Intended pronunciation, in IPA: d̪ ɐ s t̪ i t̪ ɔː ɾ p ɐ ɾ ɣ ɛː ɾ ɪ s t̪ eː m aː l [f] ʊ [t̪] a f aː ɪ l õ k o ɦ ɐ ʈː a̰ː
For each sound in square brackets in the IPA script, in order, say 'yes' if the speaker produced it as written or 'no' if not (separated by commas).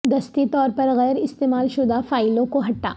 no, no